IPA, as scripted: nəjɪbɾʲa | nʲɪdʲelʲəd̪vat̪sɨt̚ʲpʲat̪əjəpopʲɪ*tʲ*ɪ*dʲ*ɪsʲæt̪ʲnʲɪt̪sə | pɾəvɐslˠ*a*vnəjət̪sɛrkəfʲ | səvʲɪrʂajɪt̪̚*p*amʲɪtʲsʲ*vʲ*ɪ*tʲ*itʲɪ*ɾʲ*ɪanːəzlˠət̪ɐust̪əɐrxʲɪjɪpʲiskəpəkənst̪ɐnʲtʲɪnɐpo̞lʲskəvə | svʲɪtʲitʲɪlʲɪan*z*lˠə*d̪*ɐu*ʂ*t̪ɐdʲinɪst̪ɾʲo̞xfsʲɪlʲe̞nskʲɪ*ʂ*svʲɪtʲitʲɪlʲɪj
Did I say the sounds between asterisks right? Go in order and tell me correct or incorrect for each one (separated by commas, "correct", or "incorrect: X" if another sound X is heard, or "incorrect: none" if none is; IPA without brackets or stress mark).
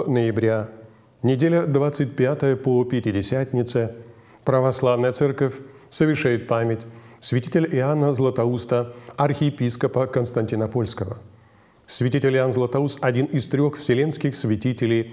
correct, correct, correct, correct, correct, correct, incorrect: lʲ, correct, incorrect: t̪, incorrect: s, incorrect: x